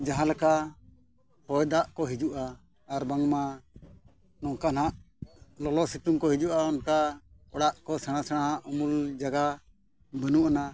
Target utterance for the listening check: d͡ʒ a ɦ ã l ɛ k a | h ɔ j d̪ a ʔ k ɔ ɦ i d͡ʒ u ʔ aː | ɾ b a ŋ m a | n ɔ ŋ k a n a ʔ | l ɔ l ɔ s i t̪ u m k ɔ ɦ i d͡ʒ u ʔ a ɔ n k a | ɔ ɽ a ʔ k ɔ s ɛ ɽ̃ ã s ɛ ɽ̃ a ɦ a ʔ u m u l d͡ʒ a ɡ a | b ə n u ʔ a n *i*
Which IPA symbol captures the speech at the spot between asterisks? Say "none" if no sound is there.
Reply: a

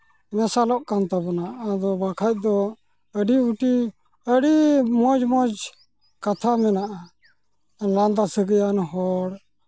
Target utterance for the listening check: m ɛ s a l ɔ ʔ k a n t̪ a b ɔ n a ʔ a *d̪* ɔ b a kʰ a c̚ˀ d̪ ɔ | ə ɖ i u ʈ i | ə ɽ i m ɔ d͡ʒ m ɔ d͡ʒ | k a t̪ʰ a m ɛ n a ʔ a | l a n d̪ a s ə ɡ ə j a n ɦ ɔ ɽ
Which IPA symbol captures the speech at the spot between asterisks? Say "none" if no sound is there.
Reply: d̪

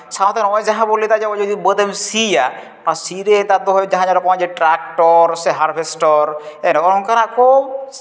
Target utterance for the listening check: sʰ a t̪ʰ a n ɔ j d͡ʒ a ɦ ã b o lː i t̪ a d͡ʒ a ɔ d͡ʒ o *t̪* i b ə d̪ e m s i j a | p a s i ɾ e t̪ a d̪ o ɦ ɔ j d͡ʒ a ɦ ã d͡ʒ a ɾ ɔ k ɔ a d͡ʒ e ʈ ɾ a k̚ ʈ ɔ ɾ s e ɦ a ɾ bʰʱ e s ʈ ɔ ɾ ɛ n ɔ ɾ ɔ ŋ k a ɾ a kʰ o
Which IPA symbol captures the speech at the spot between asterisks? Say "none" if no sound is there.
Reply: d̪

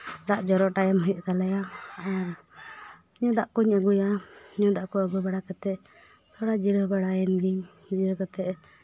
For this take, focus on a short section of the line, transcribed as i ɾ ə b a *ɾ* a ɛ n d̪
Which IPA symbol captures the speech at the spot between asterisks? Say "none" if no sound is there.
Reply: ɽ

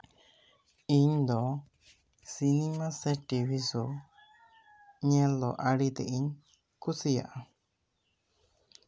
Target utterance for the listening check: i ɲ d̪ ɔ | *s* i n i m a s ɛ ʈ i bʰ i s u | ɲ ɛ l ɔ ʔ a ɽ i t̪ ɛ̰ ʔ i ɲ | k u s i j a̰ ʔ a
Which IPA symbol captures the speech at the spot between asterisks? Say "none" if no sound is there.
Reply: s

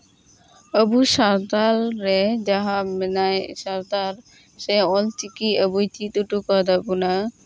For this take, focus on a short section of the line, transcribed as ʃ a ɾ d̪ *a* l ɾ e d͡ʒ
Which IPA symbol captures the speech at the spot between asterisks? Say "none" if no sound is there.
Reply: a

